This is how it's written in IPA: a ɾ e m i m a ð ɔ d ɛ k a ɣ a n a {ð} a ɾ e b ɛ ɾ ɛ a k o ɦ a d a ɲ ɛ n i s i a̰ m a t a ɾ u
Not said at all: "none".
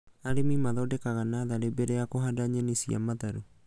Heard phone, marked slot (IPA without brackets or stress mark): ð